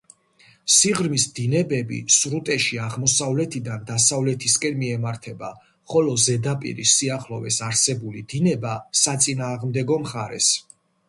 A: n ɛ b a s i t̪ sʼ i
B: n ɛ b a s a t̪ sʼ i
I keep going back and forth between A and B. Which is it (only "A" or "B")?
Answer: B